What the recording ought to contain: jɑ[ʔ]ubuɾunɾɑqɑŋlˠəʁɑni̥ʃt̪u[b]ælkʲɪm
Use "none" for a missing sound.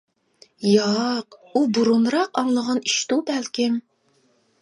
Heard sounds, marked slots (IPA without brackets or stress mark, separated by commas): q, b